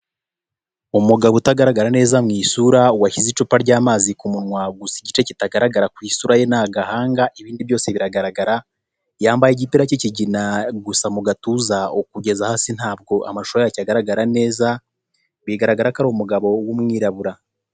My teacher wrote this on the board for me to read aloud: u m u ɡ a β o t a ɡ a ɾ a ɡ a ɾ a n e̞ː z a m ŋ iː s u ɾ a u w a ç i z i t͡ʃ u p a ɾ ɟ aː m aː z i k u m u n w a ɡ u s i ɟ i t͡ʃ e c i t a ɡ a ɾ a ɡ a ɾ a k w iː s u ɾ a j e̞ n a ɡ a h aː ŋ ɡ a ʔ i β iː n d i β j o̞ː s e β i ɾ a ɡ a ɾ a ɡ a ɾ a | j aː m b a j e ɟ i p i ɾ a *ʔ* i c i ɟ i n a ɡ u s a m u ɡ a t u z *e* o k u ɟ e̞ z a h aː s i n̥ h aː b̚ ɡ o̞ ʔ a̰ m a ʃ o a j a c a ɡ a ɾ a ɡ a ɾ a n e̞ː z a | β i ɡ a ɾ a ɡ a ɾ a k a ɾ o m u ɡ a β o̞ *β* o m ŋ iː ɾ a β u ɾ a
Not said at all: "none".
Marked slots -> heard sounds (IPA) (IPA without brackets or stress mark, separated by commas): c, a, w